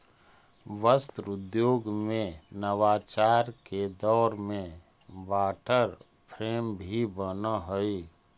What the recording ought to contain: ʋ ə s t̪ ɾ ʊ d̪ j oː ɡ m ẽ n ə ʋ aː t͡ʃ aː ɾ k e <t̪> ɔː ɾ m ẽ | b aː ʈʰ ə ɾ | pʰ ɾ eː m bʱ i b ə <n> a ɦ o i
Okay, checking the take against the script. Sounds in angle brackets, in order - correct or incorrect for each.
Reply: incorrect: d̪, correct

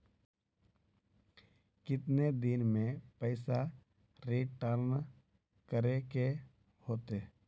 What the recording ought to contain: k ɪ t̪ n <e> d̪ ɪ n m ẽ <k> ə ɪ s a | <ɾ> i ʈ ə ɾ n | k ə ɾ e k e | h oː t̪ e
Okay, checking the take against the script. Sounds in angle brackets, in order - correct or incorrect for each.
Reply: correct, incorrect: p, correct

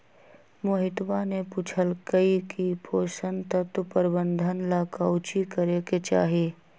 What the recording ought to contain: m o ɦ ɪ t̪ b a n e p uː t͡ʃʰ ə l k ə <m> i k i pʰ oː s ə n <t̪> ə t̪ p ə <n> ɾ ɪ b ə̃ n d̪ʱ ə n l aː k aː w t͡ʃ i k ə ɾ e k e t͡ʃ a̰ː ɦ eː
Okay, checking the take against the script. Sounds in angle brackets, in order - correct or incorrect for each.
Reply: incorrect: none, correct, incorrect: none

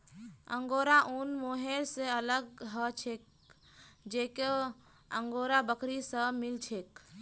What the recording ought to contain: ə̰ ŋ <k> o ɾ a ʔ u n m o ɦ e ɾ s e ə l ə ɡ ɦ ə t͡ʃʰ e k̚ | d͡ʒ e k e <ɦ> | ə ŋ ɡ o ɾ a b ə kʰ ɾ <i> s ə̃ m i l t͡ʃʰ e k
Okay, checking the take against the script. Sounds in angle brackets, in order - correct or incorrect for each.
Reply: incorrect: ɡ, incorrect: none, correct

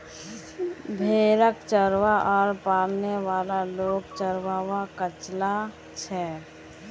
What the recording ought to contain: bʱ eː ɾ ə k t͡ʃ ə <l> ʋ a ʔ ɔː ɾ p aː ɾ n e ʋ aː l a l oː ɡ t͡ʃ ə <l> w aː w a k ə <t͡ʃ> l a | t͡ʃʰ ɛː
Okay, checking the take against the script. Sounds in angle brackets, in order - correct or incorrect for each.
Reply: incorrect: ɾ, incorrect: ɾ, correct

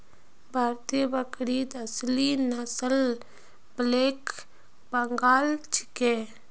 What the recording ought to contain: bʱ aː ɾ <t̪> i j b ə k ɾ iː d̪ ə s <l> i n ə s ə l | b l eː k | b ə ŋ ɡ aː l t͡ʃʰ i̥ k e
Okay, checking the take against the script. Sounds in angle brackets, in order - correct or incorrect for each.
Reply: correct, correct

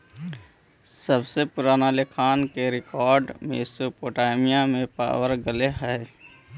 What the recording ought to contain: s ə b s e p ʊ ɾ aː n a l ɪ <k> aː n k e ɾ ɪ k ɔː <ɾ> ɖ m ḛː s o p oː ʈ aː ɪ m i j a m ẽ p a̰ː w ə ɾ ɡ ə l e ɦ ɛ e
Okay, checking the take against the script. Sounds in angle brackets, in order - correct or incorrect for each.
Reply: incorrect: kʰ, correct

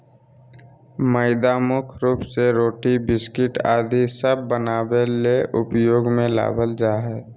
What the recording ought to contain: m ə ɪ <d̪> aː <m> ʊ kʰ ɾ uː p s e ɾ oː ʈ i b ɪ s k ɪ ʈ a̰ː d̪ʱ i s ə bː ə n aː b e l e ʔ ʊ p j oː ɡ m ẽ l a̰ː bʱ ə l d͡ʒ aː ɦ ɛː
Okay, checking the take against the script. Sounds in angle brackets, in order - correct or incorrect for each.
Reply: correct, correct

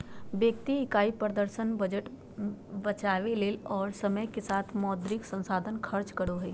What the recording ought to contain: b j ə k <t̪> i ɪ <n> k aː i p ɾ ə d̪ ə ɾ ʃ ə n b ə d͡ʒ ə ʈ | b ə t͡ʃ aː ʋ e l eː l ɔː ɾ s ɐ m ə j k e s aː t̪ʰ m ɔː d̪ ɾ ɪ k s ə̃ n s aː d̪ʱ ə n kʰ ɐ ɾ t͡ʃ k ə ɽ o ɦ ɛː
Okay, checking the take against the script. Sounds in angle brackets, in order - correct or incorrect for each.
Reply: correct, incorrect: none

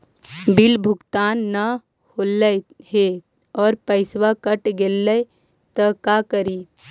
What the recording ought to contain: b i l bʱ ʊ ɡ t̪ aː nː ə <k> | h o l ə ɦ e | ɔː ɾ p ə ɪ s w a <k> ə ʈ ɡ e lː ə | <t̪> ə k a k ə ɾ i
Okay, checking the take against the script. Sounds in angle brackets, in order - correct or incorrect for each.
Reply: incorrect: none, correct, correct

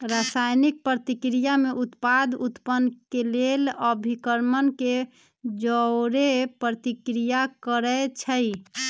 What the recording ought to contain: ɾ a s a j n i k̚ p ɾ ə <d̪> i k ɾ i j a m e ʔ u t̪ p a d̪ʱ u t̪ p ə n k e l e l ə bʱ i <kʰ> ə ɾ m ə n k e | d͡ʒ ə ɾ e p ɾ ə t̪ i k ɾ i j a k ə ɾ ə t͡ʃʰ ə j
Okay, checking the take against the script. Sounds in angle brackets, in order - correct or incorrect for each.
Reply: incorrect: t̪, incorrect: k

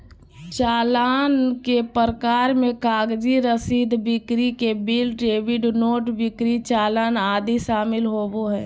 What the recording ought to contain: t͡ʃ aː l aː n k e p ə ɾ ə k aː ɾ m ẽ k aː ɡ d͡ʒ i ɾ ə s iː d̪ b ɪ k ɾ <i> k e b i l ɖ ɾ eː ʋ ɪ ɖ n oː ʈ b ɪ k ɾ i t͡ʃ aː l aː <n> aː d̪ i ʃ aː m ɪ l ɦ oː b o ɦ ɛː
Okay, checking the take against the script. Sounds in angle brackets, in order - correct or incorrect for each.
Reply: correct, correct

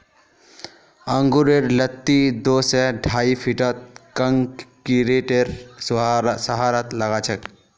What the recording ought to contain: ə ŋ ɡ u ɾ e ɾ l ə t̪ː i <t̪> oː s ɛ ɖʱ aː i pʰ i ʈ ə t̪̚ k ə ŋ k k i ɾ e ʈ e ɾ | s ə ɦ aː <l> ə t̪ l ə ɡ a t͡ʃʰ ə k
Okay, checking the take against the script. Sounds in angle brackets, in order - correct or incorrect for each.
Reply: incorrect: d̪, incorrect: ɾ

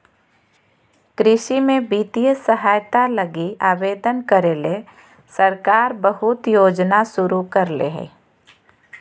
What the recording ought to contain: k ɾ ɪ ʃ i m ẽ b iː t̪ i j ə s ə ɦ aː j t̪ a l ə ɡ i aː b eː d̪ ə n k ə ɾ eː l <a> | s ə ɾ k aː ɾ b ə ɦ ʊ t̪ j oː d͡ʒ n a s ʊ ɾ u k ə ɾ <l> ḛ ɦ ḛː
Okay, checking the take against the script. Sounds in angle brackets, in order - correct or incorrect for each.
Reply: incorrect: e, correct

